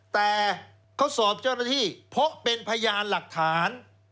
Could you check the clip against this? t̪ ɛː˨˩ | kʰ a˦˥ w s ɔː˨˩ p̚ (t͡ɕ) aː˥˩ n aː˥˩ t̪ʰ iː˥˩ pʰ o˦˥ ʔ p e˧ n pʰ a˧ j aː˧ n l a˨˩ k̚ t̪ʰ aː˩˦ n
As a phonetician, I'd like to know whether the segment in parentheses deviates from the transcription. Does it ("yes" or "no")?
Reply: no